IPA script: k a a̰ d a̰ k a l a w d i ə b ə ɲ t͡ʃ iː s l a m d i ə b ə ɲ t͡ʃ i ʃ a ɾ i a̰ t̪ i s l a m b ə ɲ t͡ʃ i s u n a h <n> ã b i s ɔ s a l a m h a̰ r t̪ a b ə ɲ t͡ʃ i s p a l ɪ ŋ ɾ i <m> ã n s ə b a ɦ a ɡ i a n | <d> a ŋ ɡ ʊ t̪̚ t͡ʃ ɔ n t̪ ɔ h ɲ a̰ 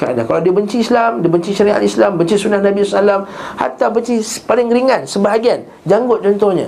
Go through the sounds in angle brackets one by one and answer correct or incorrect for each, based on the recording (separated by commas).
correct, incorrect, incorrect